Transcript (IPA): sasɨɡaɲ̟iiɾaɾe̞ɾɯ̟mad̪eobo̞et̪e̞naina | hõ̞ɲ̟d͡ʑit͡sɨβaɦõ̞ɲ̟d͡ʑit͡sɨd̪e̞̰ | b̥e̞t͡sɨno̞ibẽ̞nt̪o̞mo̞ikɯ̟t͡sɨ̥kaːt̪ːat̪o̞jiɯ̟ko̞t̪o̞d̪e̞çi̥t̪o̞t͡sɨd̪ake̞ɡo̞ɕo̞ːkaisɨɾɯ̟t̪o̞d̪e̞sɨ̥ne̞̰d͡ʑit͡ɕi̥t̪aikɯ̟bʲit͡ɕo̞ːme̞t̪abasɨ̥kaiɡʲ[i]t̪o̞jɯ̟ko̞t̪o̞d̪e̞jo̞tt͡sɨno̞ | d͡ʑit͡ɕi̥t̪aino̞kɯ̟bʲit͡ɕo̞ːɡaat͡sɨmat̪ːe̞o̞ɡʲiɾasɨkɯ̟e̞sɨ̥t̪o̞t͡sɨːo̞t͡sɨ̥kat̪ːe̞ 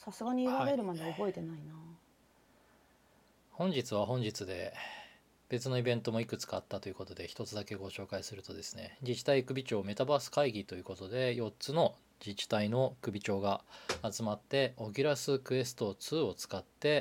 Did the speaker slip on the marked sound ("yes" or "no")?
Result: no